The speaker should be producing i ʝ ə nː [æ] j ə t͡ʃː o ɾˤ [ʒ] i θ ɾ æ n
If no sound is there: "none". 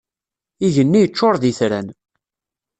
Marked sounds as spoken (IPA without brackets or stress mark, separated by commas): i, ð